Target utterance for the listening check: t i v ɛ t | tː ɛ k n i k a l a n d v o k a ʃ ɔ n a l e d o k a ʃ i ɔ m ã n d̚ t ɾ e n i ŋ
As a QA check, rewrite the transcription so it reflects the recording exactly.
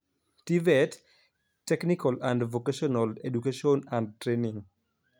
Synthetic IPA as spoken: t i v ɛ t | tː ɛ k n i k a l a n d v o k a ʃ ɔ n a l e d u k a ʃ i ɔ n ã n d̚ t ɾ e n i ŋ